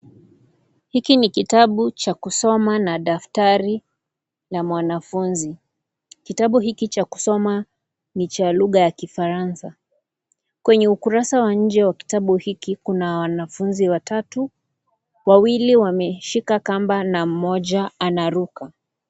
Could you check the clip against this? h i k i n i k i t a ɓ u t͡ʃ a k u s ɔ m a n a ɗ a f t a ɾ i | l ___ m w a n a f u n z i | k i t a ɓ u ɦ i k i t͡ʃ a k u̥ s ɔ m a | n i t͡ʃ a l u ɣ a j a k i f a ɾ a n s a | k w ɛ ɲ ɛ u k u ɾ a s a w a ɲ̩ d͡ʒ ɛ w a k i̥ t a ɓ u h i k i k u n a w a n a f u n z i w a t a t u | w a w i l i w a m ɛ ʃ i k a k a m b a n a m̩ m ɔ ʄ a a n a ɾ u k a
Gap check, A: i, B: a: B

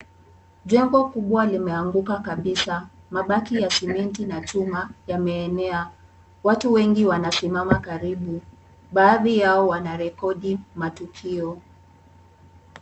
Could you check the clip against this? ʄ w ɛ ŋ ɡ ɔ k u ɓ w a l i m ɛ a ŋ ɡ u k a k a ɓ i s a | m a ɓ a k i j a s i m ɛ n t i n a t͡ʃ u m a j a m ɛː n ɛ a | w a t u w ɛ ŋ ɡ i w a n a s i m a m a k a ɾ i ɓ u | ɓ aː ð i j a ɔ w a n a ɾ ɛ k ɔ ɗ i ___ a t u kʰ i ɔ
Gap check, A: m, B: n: A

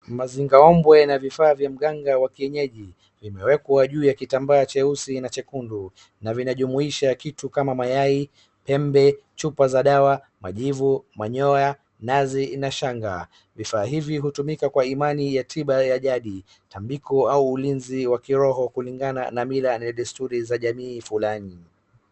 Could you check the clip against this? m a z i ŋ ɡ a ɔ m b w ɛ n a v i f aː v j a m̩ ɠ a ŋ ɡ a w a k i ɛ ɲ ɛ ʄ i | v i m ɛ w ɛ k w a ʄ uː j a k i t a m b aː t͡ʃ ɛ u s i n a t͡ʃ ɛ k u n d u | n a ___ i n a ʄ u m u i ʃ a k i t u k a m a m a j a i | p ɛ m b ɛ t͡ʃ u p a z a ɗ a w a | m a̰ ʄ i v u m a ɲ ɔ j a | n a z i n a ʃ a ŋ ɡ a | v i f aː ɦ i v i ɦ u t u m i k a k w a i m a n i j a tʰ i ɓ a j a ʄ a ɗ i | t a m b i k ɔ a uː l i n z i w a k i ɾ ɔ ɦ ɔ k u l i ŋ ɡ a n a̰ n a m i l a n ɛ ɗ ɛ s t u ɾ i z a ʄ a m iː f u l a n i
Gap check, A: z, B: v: B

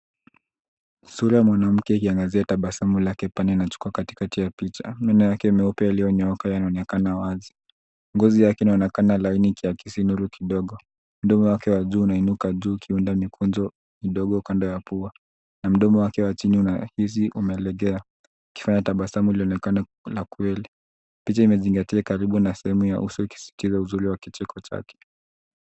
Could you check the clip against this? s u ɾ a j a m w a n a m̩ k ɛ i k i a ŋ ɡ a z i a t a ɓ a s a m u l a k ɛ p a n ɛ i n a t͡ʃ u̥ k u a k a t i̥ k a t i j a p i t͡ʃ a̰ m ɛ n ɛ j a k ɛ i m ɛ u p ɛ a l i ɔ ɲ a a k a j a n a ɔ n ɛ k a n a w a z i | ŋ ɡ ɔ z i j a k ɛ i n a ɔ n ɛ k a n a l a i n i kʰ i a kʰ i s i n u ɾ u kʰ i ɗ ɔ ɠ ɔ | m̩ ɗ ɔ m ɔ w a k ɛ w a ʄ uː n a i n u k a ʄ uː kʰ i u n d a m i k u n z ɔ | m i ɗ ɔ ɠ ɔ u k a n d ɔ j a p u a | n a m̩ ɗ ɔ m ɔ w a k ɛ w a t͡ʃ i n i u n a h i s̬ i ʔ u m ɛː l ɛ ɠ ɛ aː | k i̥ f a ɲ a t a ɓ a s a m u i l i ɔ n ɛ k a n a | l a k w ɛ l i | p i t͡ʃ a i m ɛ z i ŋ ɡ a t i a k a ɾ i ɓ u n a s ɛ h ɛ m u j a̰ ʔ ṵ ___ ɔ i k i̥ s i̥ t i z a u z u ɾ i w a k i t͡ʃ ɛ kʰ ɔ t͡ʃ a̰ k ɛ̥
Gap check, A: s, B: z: A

